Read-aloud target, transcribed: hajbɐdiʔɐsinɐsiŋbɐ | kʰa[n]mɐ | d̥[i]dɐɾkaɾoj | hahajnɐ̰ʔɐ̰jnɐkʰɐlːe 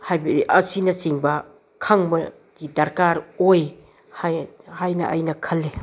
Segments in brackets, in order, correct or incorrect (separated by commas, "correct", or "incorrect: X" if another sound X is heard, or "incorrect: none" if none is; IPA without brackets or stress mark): incorrect: ŋ, correct